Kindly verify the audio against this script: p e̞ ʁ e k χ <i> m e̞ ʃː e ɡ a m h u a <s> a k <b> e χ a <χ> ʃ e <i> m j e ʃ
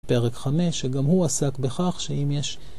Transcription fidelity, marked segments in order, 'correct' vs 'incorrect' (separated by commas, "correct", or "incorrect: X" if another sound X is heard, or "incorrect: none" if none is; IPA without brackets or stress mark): incorrect: a, correct, correct, correct, correct